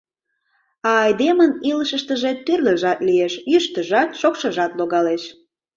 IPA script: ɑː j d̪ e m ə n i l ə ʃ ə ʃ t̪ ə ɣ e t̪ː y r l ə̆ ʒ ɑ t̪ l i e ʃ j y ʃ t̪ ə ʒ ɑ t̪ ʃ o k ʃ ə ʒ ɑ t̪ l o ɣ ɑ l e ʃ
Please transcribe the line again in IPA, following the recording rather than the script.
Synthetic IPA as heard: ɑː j d̪ e m ə n i l ə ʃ ə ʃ t̪ ə ʒ e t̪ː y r l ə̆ ʒ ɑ t̪ l i e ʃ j y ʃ t̪ ə ʒ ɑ t̪ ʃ o k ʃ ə ʒ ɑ t̪ l o ɣ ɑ l e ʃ